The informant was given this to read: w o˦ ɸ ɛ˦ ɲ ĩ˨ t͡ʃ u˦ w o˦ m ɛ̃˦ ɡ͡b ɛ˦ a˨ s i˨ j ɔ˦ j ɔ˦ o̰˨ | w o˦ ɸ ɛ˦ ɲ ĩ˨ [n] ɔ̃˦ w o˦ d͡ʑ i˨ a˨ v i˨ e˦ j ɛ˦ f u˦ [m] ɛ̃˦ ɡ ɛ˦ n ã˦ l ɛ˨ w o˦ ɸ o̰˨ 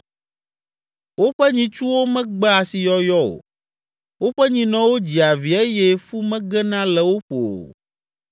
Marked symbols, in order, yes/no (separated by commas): yes, yes